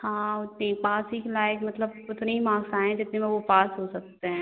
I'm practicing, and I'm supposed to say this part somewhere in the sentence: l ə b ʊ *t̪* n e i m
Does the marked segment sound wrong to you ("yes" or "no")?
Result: no